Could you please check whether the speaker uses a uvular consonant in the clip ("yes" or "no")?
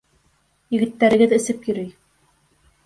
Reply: no